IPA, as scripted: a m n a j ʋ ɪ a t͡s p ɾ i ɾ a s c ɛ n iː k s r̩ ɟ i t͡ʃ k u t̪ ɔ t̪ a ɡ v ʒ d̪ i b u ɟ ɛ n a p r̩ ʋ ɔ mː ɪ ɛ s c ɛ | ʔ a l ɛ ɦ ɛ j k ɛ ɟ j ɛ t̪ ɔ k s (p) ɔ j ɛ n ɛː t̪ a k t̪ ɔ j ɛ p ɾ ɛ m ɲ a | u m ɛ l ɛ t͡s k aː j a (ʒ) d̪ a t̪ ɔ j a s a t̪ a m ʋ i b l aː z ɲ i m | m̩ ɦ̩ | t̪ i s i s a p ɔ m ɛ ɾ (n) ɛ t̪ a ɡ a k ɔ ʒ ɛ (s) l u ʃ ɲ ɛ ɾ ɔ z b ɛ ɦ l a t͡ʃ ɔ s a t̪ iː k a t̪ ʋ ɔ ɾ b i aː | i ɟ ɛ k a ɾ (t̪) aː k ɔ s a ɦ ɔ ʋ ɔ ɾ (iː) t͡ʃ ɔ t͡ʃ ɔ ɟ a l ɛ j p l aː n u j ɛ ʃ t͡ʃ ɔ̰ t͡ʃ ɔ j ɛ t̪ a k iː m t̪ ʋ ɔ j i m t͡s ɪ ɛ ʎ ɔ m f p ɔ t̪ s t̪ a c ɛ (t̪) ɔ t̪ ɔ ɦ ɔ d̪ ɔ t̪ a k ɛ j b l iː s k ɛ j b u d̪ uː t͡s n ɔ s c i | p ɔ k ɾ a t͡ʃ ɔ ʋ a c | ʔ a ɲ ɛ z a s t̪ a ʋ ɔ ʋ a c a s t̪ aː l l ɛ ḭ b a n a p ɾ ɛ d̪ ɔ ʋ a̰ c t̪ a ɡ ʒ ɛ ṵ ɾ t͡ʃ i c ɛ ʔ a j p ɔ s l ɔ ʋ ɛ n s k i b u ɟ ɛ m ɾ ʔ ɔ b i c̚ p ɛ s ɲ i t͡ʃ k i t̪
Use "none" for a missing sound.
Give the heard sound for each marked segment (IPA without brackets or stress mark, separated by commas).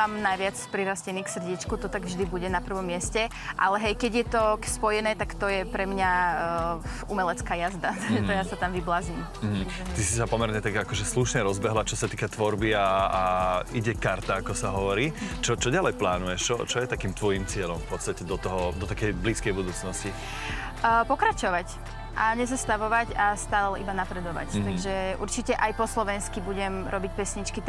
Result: p, z, ɲ, s, t̪, iː, d̪